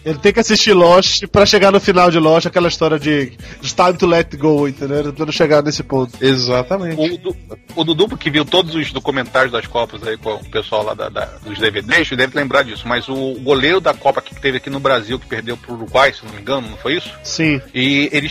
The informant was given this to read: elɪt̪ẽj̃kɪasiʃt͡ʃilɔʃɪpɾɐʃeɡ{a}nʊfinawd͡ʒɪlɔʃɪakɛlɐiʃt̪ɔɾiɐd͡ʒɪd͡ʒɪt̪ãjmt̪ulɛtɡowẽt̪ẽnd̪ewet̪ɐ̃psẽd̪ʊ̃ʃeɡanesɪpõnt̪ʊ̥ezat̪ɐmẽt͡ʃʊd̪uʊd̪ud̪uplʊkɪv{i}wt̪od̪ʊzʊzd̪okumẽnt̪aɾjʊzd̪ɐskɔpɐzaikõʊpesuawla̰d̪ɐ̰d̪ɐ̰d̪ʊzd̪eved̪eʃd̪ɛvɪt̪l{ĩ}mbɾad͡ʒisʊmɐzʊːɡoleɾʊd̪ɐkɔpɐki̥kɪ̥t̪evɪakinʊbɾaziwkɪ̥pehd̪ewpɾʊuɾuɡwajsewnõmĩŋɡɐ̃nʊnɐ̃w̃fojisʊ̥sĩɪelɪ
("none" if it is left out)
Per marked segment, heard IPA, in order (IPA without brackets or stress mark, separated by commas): a, i, ẽ